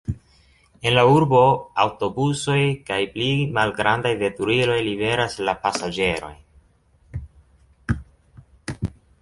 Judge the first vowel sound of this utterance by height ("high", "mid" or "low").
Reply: mid